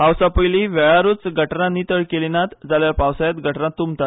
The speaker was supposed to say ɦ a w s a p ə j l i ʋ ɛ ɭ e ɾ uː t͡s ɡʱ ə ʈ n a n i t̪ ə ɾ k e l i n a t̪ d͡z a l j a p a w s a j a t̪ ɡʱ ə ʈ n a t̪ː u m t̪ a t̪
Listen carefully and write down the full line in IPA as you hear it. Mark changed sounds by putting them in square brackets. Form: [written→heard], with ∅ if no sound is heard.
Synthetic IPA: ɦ a w s a p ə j l i ʋ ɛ ɭ [e→a] ɾ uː t͡s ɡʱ ə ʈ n a n i t̪ ə [ɾ→ɭ] k e l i n a t̪ d͡z a l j a p a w s a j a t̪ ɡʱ ə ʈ n a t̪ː u m t̪ a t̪